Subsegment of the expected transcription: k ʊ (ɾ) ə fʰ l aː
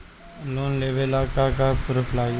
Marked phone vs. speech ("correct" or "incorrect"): correct